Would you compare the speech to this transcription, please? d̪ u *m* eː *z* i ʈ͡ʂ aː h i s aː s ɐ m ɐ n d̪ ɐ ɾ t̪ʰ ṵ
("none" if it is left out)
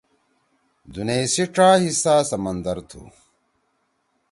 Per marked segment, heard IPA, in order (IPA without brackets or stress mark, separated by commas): n, s